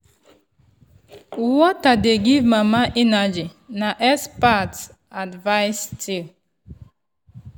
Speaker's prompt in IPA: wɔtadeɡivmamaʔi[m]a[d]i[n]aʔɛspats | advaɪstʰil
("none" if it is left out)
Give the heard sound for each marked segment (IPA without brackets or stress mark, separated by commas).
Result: n, d͡ʒ, n